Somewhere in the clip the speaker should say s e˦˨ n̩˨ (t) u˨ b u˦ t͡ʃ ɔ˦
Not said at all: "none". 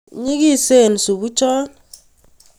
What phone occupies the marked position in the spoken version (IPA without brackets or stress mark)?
s